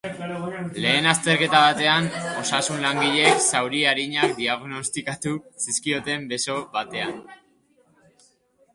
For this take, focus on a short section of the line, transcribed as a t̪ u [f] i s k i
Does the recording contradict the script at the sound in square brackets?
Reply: yes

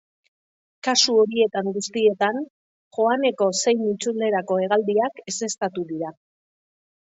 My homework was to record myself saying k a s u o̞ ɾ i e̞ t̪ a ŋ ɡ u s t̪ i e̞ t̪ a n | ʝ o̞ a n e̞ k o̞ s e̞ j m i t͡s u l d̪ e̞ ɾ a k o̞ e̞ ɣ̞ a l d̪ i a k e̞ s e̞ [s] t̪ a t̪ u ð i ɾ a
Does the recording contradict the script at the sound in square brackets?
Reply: no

